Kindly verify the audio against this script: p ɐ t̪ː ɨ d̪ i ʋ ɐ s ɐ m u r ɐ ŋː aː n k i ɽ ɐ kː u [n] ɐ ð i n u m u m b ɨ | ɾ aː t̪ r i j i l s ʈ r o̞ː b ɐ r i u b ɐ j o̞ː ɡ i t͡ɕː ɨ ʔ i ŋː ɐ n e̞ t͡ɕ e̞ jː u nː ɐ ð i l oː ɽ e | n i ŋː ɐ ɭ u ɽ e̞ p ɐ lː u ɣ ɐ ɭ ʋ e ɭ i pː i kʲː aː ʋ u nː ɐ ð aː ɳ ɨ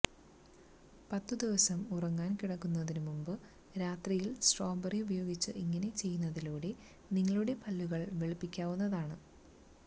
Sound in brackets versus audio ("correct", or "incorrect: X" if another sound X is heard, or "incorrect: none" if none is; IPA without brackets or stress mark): incorrect: nː